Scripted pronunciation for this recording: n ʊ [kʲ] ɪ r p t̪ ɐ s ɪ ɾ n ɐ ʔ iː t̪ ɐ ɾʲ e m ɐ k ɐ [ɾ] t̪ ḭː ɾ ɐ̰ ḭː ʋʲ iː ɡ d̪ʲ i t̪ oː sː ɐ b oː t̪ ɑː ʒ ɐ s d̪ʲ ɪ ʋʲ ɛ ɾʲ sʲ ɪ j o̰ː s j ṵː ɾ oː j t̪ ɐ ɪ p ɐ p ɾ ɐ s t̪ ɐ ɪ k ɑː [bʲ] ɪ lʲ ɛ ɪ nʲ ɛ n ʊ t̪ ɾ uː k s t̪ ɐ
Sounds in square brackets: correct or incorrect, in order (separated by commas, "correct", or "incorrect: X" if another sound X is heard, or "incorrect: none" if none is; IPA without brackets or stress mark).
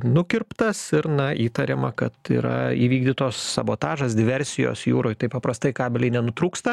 correct, incorrect: none, correct